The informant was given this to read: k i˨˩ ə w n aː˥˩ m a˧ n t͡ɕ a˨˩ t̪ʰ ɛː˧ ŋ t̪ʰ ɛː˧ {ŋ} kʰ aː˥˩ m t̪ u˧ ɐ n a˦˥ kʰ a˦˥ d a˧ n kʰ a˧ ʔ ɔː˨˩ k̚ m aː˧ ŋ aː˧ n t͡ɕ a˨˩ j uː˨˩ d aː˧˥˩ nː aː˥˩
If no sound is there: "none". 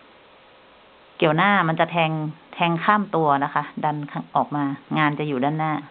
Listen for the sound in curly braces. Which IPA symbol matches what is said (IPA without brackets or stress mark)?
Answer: ŋ